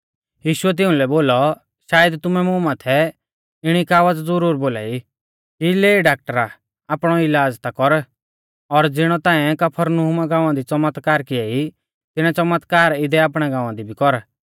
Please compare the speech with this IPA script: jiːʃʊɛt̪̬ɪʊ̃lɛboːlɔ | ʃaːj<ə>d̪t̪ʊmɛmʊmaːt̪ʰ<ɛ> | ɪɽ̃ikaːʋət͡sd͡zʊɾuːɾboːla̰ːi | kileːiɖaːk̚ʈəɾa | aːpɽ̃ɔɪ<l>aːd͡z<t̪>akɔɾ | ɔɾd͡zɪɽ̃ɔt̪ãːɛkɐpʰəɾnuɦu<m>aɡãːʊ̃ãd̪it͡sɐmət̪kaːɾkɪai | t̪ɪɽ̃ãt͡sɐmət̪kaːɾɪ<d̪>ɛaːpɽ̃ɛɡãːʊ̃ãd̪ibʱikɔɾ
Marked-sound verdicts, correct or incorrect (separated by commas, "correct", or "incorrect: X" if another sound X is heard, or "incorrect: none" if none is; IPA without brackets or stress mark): correct, correct, correct, correct, correct, correct